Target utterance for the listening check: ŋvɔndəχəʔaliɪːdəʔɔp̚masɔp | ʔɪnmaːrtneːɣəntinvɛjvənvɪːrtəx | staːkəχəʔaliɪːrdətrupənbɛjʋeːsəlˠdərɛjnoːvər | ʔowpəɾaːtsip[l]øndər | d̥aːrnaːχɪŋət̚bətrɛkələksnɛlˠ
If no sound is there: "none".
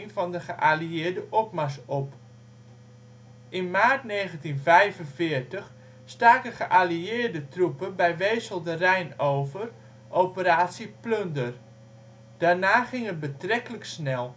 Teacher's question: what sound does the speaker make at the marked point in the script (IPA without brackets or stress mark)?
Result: l